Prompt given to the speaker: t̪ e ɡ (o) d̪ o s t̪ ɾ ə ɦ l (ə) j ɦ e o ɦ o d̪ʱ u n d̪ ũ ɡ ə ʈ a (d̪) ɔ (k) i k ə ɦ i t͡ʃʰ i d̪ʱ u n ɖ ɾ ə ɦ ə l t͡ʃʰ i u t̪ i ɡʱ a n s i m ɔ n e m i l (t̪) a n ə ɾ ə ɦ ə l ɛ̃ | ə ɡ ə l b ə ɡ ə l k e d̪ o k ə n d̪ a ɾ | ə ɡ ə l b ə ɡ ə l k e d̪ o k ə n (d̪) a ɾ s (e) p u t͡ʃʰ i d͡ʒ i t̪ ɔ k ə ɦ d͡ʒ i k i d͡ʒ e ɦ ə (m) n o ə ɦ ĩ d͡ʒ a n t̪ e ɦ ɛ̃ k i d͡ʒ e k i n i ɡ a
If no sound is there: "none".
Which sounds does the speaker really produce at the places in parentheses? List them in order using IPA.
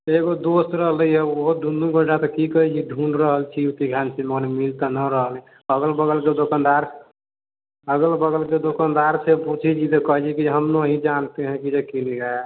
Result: o, ə, t̪, k, t̪, d̪, e, m

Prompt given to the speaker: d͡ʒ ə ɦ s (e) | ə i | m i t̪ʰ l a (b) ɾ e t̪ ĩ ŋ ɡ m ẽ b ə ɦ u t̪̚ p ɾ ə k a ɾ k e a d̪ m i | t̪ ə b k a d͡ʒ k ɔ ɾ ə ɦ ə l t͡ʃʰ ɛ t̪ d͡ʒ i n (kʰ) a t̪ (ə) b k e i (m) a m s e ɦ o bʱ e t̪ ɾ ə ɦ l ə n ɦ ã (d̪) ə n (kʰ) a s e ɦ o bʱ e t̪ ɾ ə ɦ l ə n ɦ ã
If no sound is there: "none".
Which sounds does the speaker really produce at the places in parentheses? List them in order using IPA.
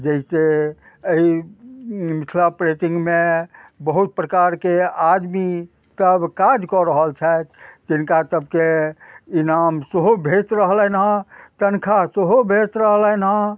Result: e, p, k, ə, n, t̪, kʰ

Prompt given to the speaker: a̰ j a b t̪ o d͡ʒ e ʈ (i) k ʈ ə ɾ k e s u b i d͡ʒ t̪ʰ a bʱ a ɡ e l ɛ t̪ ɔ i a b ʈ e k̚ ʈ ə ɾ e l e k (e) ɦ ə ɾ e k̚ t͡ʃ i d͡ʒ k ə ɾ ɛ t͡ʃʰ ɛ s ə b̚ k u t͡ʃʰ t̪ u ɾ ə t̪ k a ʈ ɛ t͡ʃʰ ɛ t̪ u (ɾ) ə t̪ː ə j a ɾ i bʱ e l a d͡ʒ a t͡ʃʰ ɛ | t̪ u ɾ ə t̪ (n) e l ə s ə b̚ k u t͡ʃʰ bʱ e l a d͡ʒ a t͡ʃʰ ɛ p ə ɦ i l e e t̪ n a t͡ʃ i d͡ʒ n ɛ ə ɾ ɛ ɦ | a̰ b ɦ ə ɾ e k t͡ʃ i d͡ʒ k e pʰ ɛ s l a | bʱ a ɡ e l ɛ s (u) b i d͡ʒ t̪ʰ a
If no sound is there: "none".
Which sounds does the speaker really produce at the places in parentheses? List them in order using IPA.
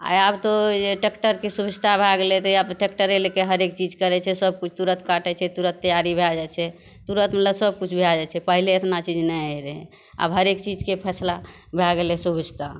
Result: e, e, ɾ, m, u

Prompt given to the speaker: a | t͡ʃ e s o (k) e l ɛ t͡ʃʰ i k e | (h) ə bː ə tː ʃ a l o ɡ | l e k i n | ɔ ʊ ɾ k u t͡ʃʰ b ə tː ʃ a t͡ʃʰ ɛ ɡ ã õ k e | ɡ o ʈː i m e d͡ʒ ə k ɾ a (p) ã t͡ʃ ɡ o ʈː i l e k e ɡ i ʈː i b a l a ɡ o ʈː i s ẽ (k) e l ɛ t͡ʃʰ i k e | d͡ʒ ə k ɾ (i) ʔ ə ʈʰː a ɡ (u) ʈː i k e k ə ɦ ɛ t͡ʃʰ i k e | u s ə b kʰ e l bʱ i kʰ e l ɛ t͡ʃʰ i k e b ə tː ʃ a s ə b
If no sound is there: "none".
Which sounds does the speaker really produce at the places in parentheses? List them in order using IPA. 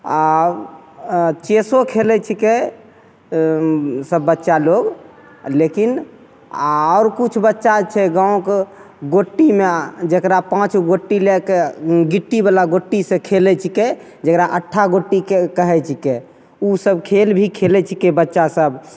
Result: kʰ, s, p, kʰ, a, o

